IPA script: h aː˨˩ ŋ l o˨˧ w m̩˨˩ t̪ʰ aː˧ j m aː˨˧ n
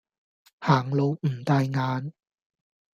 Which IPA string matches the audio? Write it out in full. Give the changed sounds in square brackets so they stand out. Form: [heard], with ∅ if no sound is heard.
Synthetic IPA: h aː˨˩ ŋ l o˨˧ w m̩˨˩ [t̪] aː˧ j [ŋ] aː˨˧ n